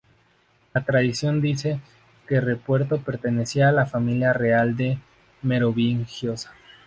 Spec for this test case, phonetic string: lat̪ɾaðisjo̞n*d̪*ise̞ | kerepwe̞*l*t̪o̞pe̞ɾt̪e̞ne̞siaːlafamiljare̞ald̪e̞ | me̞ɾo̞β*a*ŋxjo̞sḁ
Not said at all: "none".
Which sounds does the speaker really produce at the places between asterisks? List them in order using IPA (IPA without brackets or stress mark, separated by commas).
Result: d̪, ɾ, i